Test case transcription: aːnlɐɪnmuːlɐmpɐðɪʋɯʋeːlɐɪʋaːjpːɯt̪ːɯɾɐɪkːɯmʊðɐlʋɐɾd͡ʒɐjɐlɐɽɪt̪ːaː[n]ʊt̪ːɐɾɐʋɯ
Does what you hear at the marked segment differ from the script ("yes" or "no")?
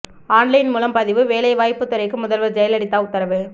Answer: yes